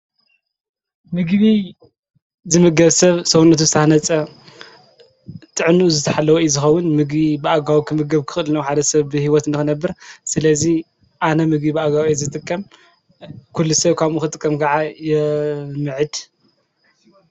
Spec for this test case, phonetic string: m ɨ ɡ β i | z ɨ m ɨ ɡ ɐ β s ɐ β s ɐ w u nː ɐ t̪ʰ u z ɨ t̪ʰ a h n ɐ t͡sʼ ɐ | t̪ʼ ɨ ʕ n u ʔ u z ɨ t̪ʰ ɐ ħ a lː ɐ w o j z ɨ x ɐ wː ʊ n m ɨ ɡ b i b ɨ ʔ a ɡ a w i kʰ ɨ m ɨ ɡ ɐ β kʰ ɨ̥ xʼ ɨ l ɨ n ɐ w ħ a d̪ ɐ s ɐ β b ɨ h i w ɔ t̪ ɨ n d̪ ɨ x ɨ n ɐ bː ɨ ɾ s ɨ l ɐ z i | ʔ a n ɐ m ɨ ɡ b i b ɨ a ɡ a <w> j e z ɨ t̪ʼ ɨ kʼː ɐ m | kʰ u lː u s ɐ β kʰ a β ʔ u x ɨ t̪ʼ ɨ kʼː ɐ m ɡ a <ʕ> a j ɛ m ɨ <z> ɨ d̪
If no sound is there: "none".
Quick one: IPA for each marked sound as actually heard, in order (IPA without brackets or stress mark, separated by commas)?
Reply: w, ʕ, ʕ